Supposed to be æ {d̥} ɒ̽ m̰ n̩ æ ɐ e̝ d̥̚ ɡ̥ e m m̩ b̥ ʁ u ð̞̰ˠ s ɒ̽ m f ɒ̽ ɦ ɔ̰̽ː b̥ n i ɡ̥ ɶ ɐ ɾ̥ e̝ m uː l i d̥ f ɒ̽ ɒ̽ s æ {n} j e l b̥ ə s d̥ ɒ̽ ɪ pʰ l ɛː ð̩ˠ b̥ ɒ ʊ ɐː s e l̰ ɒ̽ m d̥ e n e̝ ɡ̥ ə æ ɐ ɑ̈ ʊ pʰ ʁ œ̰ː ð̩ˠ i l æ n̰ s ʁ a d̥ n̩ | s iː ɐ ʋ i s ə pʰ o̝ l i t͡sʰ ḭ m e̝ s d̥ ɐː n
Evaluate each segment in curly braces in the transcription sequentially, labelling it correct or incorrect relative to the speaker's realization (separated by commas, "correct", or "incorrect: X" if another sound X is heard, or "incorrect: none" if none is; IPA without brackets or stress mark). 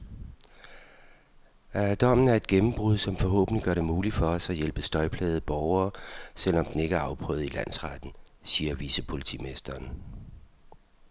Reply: correct, incorrect: none